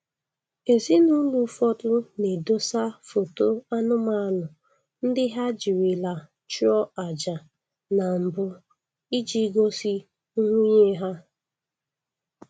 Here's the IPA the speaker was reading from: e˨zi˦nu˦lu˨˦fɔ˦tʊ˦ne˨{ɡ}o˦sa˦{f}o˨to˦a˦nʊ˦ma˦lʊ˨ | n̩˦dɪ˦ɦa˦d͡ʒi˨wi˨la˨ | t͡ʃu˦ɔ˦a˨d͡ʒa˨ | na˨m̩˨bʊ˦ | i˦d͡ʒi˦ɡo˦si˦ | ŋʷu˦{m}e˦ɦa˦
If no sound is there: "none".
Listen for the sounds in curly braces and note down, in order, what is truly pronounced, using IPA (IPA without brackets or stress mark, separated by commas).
d, f, ɲ